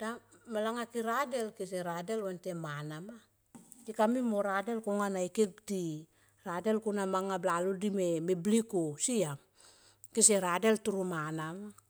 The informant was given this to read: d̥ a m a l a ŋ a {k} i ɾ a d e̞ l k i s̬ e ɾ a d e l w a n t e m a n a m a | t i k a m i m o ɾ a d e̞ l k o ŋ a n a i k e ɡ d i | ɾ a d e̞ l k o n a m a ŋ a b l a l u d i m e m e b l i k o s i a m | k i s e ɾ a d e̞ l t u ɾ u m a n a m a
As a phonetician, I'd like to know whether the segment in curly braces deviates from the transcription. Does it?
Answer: no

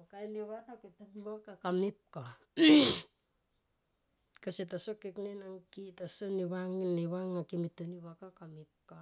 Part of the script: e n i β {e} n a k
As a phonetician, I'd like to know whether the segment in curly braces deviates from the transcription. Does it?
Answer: yes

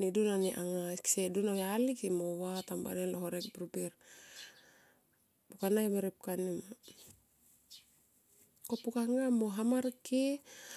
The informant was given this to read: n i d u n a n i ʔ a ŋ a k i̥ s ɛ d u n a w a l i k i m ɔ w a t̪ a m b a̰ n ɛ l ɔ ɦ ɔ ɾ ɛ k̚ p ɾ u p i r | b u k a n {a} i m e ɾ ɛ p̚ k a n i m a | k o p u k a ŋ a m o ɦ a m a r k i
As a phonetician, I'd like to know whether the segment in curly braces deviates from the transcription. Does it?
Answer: no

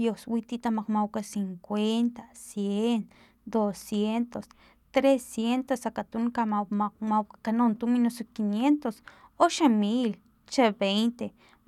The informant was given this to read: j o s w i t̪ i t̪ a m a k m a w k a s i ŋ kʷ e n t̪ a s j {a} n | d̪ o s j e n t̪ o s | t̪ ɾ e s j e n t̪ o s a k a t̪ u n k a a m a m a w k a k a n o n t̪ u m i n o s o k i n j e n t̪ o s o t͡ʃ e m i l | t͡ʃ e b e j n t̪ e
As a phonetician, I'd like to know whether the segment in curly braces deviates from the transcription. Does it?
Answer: yes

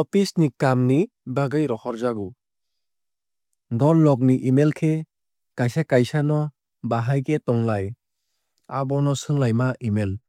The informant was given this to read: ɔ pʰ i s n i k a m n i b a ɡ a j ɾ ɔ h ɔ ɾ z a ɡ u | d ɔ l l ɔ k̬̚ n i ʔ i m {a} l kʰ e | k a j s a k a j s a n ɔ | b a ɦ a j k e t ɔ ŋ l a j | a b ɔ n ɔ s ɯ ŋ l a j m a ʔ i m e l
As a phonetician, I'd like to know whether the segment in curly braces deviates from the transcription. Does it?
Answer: yes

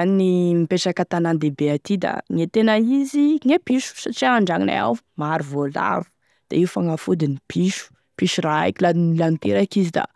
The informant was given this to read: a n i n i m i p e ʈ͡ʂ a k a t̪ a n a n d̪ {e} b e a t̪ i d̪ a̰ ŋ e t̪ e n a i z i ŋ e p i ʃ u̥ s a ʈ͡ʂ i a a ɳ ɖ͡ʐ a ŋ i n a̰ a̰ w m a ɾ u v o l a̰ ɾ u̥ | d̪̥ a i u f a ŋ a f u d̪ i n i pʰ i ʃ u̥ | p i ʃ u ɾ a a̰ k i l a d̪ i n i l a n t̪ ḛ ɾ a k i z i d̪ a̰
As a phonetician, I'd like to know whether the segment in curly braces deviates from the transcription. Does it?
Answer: no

